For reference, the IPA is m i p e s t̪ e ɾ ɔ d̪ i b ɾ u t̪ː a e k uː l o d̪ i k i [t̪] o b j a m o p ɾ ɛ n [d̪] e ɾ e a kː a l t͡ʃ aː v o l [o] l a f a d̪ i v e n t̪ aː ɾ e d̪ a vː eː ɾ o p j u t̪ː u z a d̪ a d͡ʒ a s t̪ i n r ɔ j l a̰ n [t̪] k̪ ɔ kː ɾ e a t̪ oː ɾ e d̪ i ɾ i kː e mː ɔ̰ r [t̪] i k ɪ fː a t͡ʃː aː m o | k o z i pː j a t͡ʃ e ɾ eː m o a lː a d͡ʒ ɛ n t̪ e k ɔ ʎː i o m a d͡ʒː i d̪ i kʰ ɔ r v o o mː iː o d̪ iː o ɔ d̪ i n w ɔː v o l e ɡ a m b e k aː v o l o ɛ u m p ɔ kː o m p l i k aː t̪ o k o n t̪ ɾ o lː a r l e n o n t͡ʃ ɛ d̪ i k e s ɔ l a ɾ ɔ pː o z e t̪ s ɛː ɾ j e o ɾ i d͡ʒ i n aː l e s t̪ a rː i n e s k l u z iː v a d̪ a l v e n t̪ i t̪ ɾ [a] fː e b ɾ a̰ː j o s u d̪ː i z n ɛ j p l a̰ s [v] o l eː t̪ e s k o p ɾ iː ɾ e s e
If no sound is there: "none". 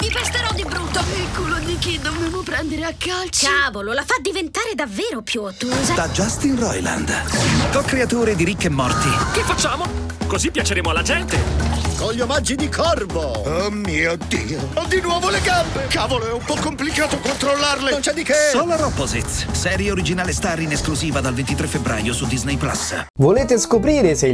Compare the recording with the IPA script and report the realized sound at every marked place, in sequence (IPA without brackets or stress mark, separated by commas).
d̪, d̪, o, d̪, t̪, e, v